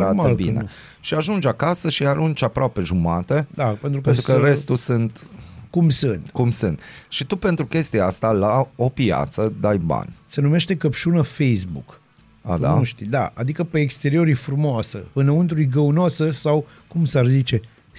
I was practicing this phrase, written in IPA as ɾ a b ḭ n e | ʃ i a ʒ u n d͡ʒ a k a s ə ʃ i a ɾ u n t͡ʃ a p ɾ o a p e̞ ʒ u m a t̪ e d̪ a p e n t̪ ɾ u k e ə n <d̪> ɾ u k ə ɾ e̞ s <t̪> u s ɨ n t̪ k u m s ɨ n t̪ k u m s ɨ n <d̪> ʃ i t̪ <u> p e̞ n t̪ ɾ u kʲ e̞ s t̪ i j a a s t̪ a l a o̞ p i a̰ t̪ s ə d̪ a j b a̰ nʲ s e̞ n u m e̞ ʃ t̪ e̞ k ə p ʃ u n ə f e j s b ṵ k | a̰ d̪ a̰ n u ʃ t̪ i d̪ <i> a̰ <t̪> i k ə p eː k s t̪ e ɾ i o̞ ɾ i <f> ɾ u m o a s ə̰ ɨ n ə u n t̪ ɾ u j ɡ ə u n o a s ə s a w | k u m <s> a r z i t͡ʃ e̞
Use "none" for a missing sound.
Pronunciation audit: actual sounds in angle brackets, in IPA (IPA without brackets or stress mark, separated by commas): t̪, t̪, t̪, u, a, d̪, f, s